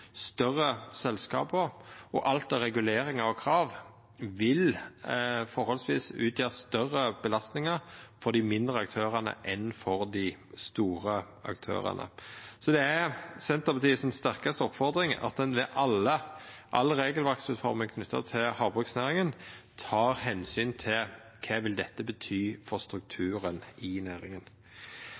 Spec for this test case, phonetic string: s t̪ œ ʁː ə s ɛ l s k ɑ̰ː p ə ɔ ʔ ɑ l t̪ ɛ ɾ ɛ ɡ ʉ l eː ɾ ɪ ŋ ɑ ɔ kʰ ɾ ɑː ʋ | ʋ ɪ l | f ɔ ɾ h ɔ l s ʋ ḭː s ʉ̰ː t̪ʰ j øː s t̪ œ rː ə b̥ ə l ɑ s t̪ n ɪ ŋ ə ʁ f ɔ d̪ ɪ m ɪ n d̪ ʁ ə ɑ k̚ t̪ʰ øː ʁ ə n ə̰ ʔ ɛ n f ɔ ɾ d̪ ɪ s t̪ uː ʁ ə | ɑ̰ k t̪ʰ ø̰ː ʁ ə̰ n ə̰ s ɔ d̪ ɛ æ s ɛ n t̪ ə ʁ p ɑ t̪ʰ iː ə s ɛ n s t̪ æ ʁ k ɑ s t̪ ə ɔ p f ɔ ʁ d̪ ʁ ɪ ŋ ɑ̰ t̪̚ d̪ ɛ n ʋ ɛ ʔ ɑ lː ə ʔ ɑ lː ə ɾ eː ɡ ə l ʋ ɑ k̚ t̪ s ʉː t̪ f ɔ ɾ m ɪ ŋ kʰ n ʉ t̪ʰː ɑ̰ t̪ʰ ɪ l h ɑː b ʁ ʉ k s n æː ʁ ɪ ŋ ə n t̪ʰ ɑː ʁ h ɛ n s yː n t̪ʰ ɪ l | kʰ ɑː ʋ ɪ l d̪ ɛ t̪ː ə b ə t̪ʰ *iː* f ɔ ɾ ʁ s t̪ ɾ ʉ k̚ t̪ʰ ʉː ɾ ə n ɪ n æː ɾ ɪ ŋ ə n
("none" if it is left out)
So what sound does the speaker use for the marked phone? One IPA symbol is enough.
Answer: yː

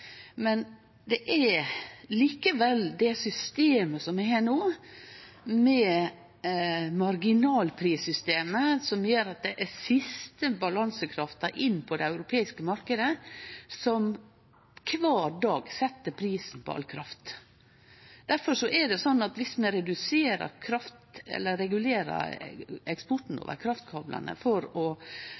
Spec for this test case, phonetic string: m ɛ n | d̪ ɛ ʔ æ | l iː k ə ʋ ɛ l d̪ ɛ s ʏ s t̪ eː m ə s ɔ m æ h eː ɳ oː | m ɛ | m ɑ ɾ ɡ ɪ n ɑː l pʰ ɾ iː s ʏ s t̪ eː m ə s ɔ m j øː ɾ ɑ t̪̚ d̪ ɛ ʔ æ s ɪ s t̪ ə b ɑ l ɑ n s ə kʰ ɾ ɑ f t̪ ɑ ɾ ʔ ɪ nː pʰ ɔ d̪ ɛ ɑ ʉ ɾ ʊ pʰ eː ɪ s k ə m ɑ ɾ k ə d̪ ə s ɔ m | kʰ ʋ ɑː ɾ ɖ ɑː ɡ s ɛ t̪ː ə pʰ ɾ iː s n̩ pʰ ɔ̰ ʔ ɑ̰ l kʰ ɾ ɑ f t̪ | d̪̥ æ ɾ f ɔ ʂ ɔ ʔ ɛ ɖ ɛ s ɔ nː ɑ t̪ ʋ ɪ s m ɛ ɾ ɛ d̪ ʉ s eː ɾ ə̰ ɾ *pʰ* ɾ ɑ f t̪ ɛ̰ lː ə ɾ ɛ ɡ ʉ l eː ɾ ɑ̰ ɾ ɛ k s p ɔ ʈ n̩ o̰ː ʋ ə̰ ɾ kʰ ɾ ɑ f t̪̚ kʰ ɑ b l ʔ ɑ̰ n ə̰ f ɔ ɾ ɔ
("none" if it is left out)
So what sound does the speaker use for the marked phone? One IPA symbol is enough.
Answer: kʰ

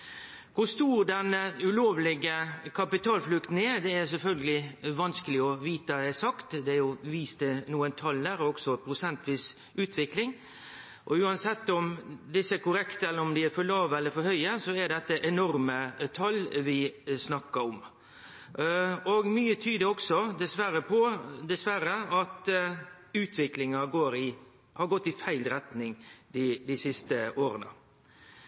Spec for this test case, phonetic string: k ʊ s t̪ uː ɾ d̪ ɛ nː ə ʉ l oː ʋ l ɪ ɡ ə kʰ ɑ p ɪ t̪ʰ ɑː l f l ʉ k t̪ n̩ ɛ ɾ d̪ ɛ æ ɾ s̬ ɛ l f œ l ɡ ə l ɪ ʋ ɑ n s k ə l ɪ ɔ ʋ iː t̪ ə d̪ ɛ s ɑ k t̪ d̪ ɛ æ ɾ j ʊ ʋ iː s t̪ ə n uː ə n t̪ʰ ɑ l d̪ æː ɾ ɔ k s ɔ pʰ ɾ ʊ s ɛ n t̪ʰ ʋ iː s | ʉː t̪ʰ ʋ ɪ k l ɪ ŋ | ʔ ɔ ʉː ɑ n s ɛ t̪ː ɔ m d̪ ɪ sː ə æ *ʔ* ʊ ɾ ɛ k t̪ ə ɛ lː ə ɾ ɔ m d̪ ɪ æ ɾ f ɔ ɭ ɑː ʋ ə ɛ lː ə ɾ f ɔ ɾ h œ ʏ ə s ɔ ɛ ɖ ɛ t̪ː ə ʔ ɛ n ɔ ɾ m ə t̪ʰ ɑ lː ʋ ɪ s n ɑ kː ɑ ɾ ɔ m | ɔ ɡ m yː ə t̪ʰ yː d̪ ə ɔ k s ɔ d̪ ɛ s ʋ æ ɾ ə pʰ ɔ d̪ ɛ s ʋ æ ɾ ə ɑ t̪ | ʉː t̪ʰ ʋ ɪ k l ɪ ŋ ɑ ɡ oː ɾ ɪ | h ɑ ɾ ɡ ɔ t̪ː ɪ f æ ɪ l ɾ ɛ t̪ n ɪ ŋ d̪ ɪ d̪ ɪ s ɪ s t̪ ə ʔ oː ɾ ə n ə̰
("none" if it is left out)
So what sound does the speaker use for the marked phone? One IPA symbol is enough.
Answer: k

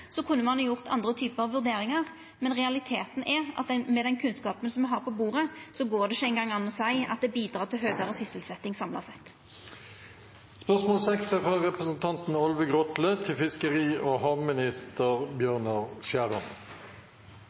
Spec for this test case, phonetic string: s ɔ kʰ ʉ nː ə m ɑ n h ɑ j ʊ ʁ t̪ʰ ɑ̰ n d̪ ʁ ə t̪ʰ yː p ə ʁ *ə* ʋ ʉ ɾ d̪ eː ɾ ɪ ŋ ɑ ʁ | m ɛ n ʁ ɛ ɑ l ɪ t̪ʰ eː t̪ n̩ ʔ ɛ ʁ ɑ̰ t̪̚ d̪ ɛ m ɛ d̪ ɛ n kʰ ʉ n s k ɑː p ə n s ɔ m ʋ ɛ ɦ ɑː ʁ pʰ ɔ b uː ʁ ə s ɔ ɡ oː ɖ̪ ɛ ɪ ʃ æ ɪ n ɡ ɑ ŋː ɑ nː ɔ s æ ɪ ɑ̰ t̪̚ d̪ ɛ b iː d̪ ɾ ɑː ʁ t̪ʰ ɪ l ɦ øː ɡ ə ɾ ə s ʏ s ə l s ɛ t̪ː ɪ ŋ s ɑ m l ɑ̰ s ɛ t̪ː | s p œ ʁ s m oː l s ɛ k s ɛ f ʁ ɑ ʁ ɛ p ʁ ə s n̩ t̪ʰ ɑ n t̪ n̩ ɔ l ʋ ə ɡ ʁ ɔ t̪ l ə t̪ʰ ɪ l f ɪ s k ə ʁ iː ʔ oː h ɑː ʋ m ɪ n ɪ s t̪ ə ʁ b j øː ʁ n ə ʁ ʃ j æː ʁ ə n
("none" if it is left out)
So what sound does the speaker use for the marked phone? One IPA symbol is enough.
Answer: ɑ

